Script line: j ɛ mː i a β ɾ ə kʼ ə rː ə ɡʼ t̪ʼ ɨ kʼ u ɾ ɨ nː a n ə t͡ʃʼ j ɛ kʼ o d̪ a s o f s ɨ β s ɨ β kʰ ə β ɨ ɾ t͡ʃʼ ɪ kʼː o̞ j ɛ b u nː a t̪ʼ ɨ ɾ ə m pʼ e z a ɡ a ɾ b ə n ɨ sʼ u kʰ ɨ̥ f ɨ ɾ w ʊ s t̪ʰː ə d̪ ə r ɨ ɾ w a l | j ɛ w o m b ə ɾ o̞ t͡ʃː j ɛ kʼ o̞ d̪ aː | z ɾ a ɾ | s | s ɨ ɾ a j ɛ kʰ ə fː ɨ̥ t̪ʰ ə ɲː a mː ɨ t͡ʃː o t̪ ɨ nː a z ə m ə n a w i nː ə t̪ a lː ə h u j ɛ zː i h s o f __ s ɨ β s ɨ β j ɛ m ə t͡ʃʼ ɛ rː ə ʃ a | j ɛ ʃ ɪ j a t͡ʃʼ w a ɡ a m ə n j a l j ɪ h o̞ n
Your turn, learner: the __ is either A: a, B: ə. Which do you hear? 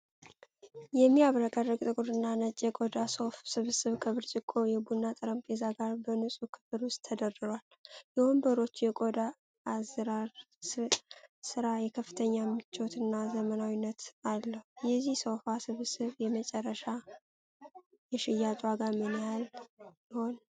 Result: A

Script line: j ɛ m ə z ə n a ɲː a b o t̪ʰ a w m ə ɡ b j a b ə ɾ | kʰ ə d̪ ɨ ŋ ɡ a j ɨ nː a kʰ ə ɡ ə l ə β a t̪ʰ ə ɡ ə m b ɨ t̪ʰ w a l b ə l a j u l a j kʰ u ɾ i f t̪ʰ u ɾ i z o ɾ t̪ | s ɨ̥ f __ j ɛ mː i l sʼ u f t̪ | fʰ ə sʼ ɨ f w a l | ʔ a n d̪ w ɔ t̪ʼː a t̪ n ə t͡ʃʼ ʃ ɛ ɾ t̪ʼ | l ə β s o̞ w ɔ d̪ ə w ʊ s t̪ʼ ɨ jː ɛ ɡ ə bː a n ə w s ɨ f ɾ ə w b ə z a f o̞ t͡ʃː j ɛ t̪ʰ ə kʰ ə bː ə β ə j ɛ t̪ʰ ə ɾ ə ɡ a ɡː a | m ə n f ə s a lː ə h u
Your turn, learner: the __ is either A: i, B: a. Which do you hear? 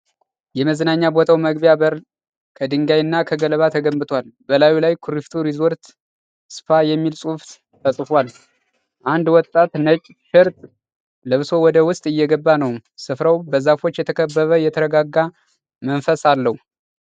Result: B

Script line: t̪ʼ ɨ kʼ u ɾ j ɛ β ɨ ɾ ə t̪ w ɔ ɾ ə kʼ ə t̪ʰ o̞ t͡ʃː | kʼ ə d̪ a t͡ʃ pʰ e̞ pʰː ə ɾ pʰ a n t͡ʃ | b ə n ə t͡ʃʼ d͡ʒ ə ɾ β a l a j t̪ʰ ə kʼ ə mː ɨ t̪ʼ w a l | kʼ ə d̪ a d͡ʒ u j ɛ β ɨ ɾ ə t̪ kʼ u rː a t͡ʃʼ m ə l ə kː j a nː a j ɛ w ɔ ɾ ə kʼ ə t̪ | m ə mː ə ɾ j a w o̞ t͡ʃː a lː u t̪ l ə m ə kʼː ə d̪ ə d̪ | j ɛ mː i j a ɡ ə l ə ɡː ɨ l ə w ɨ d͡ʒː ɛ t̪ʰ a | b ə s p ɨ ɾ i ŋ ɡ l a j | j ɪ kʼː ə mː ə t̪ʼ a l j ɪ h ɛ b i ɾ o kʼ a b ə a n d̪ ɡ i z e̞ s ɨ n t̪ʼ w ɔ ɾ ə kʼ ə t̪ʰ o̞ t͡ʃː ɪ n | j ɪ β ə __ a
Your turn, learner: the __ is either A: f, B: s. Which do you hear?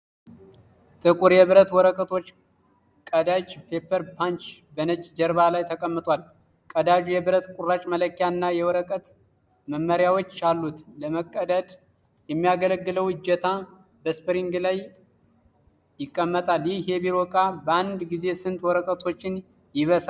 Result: B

